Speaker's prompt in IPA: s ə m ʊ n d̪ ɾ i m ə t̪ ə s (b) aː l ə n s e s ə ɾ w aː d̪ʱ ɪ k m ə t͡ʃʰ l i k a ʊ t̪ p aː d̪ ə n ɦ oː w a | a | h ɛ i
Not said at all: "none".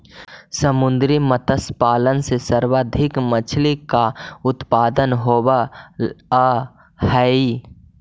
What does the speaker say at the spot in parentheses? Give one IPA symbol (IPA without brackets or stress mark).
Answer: p